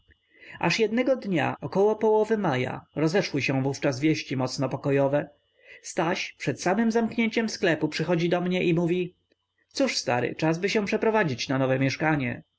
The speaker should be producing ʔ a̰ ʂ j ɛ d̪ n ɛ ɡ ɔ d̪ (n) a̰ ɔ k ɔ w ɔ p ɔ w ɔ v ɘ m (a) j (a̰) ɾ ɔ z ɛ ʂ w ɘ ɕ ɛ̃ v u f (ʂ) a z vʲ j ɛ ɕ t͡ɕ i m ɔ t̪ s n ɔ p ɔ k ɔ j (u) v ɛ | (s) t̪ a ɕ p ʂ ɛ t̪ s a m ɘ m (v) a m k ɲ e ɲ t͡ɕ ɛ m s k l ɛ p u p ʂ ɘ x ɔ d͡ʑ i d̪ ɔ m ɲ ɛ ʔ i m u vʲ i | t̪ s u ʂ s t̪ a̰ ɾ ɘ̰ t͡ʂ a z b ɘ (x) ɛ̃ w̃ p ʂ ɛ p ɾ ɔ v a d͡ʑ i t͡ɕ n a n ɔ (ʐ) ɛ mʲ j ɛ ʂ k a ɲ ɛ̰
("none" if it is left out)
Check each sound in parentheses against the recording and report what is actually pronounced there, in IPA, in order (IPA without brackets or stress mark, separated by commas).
ɲ, a, a̰, t͡ʂ, ɔ, s, z, ɕ, v